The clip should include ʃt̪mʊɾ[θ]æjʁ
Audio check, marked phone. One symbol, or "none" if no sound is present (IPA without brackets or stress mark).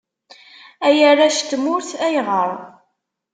θ